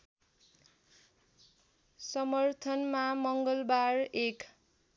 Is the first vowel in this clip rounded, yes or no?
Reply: no